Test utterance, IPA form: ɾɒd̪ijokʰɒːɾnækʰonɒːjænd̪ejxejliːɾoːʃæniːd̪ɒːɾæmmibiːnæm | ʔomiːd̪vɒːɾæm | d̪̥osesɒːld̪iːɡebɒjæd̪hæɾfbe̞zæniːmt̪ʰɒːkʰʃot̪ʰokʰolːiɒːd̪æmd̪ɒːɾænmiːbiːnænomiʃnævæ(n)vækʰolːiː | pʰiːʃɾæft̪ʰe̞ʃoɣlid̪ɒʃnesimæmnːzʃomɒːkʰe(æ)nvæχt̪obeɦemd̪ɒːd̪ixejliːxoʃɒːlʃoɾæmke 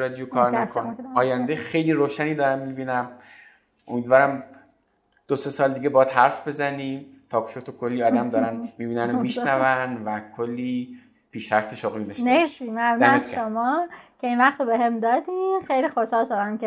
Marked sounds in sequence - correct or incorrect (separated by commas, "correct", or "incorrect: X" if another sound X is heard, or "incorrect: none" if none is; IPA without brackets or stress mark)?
correct, incorrect: i